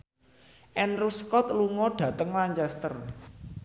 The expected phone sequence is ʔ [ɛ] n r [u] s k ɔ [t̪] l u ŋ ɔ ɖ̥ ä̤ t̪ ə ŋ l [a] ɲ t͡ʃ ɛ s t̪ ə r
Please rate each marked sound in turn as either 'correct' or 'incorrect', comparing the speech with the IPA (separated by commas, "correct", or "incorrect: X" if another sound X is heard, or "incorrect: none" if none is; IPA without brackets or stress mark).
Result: correct, correct, correct, correct